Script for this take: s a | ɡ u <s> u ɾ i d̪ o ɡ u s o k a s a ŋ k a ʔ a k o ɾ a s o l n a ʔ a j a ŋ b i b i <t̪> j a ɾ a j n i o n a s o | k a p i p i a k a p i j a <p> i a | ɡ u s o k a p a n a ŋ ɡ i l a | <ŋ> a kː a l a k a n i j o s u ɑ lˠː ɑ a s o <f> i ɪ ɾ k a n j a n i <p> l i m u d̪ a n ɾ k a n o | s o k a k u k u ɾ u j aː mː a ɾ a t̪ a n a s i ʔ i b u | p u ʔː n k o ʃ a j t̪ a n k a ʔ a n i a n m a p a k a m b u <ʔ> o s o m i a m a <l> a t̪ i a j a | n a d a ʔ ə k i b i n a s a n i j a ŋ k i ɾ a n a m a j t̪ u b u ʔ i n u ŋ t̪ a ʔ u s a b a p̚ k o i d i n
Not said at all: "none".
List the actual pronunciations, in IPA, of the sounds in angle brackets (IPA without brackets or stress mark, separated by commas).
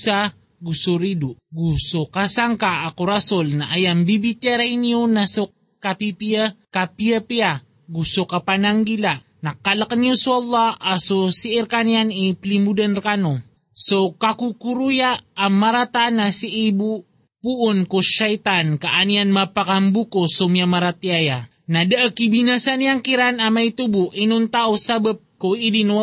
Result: s, t̪, p, n, s, p, k, ɾ